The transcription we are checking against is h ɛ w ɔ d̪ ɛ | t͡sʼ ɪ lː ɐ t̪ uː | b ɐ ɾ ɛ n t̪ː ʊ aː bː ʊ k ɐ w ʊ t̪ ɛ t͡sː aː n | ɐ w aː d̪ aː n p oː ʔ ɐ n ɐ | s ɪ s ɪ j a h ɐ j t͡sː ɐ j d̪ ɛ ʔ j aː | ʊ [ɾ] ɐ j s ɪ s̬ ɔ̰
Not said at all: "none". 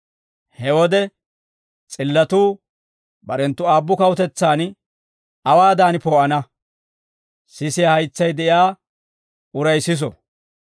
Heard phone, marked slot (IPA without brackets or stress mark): ɾ